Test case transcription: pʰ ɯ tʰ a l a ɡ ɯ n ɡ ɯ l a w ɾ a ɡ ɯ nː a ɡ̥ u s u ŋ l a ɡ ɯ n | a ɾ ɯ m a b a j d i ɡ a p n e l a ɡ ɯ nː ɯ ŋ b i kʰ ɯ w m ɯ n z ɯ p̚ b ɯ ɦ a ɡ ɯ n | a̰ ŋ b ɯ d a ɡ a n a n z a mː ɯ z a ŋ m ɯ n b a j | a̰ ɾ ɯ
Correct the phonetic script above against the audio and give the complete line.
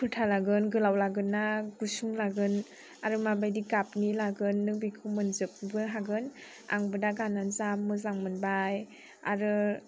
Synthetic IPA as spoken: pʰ ɯ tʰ a l a ɡ ɯ n ɡ ɯ l a w l a ɡ ɯ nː a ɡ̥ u s u ŋ l a ɡ ɯ n | a ɾ ɯ m a b a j d i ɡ a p n i l a ɡ ɯ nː ɯ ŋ b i kʰ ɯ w m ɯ n z ɯ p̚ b ɯ ɦ a ɡ ɯ n | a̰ ŋ b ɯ d a ɡ a n a n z a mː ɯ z a ŋ m ɯ n b a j | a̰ ɾ ɯ

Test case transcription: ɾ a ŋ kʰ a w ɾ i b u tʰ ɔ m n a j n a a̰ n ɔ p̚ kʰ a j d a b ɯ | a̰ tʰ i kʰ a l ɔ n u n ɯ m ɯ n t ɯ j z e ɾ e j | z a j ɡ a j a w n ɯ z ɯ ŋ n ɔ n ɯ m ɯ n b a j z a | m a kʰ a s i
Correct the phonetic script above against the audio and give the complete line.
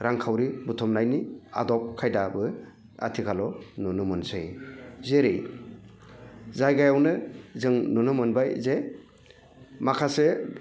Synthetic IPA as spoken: ɾ a ŋ kʰ a w ɾ i b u tʰ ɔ m n a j n i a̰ d ɔ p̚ kʰ a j d a b ɯ | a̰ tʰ i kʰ a l ɔ n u n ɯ m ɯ n s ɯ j z e ɾ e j | z a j ɡ a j a w n ɯ z ɯ ŋ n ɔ n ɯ m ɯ n b a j z e | m a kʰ a s e

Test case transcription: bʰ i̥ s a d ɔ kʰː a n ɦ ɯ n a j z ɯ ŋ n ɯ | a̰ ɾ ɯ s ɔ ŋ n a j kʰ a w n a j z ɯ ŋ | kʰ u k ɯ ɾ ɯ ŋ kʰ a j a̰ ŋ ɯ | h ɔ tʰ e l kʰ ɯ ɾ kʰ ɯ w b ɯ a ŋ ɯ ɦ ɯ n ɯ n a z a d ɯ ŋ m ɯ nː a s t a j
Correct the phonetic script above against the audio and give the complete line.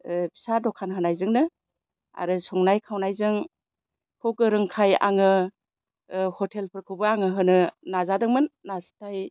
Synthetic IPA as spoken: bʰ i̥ s a d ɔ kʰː a n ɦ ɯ n a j z ɯ ŋ n ɯ | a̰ ɾ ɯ s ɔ ŋ n a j kʰ a w n a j z ɯ ŋ | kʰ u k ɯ ɾ ɯ ŋ kʰ a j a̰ ŋ ɯ | h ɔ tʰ e l pʰ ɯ ɾ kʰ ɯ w b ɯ a ŋ ɯ ɦ ɯ n ɯ n a z a d ɯ ŋ m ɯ nː a s t a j

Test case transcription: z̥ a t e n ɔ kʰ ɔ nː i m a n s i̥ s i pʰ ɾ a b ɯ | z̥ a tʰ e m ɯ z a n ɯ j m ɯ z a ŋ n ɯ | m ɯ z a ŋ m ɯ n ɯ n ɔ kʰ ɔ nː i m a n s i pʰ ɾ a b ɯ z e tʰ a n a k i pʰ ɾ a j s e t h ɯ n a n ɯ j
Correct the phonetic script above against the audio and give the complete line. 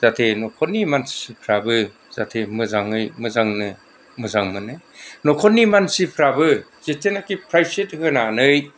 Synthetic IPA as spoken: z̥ a tʰ e n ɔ kʰ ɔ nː i m a n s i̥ s i pʰ ɾ a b ɯ | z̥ a tʰ e m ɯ z a ŋ ɯ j m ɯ z a ŋ n ɯ | m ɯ z a ŋ m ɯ n ɯ n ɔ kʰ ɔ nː i m a n s i pʰ ɾ a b ɯ z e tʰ e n a k i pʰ ɾ a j s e t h ɯ n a n ɯ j

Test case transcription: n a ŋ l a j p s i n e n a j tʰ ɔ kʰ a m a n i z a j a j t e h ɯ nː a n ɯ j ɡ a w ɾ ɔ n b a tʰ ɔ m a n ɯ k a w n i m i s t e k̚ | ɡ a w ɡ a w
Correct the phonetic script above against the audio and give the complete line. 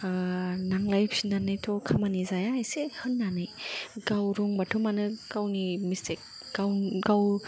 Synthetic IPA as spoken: n a ŋ l a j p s i n a n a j tʰ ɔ kʰ a m a n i z a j a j s e h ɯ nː a n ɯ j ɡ a w ɾ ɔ ŋ b a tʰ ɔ m a n ɯ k a w n i m i s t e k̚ | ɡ a w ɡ a w

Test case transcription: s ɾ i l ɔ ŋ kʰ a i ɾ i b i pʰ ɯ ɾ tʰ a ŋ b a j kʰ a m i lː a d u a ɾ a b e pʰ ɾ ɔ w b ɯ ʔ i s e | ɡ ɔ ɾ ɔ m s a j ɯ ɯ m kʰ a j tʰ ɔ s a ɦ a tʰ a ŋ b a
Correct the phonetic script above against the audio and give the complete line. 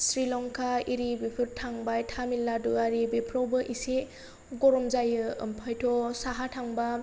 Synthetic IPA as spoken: s ɾ i l ɔ ŋ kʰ a i ɾ i b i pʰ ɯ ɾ tʰ a ŋ b a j tʰ a m i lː a d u a ɾ i b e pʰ ɾ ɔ w b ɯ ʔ i s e | ɡ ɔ ɾ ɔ m z a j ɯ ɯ m pʰ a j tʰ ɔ s a ɦ a tʰ a ŋ b a

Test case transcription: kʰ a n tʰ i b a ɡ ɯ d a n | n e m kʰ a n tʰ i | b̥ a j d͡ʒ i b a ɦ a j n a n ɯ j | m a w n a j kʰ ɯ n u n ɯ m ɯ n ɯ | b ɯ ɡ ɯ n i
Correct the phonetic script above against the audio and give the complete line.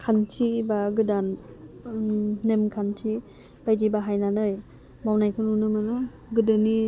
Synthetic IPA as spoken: kʰ a n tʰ i b a ɡ ɯ d a n | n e m kʰ a n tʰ i | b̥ a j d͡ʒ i b a ɦ a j n a n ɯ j | m a w n a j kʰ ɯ n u n ɯ m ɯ n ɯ | ɡ ɯ d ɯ n i

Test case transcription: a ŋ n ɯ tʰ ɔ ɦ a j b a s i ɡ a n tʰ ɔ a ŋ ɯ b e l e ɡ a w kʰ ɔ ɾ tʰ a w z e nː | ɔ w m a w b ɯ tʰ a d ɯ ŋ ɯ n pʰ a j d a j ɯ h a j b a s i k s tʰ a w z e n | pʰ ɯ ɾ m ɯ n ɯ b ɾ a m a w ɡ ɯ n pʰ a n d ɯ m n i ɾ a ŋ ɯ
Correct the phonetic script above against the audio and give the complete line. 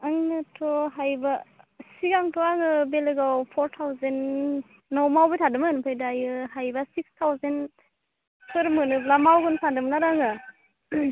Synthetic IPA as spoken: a ŋ n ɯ tʰ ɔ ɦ a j b a s i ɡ a ŋ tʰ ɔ a ŋ ɯ b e l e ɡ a w pʰ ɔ ɾ tʰ a w z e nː | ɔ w m a w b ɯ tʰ a d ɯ m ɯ n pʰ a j d a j ɯ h a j b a s i k s tʰ a w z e n | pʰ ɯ ɾ m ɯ n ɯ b l a m a w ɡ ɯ n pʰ a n d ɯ m n a ɾ a ŋ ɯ

